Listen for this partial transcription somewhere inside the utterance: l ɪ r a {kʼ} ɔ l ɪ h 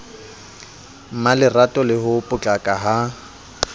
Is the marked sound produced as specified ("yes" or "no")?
no